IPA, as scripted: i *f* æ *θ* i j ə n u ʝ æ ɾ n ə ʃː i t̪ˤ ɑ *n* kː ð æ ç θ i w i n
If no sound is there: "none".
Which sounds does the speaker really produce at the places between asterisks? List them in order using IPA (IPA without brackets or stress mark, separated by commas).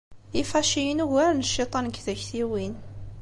f, ʃ, n